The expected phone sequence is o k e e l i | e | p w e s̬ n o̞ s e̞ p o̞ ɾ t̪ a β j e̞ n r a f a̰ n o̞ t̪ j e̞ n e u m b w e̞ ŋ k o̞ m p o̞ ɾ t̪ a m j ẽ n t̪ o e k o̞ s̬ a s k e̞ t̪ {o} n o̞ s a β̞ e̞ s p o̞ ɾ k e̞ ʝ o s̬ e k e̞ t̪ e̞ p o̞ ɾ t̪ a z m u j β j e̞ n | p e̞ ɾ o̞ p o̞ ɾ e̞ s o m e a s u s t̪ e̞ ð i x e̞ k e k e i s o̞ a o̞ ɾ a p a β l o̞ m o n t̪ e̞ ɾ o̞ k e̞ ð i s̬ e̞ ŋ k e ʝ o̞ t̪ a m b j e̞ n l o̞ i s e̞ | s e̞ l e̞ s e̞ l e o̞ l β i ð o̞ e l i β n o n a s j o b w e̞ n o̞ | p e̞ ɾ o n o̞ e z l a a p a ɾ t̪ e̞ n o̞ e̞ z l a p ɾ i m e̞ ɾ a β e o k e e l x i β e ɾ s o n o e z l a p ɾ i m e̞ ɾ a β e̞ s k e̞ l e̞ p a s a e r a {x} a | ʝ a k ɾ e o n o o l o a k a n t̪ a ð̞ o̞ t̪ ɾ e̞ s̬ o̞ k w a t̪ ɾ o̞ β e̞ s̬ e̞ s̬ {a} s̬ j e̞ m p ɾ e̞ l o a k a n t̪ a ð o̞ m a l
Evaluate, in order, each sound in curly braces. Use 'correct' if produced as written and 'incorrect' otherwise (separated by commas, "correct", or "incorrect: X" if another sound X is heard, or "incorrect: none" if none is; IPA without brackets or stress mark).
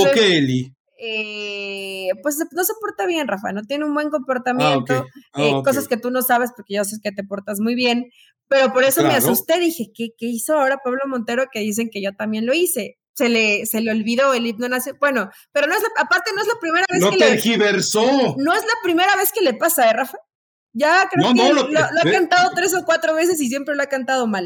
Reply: incorrect: u, incorrect: f, incorrect: i